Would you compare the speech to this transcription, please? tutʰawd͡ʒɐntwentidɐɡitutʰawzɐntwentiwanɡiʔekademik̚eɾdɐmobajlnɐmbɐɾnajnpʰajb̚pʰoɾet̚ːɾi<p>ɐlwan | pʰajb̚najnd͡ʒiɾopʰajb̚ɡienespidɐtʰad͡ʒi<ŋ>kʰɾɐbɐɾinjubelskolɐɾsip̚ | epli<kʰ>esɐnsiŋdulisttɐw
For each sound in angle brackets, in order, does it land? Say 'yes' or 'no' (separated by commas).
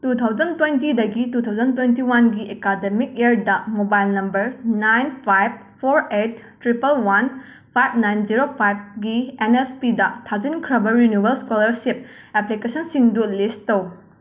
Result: yes, no, no